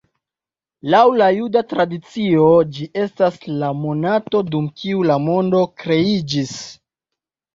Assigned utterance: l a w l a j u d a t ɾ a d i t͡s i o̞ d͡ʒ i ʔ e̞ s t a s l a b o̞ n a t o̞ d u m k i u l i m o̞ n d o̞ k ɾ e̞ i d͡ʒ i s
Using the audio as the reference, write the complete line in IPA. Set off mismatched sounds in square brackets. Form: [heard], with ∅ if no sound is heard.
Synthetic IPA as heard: l a w l a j u d a t ɾ a d i t͡s i o̞ d͡ʒ i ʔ e̞ s t a s l a [m] o̞ n a t o̞ d u m k i u l [a] m o̞ n d o̞ k ɾ e̞ i d͡ʒ i s